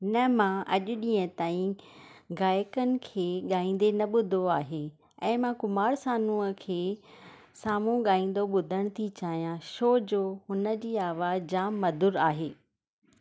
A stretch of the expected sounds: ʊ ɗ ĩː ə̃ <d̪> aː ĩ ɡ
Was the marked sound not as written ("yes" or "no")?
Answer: yes